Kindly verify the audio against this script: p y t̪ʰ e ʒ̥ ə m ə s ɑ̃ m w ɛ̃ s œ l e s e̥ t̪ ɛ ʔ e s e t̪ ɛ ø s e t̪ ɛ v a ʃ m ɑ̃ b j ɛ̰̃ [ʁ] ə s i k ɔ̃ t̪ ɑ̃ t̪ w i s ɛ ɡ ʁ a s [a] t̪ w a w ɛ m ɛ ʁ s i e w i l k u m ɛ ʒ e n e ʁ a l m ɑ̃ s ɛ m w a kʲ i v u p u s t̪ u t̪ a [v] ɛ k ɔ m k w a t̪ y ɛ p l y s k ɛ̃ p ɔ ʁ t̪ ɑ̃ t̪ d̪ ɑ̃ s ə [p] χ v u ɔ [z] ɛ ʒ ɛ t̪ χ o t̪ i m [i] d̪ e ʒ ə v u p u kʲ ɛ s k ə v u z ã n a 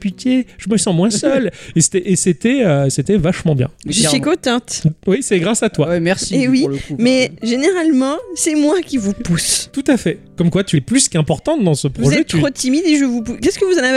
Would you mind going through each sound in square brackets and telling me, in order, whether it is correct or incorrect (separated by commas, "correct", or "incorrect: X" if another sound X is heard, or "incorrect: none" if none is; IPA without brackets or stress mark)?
incorrect: ʒ, correct, incorrect: f, correct, correct, correct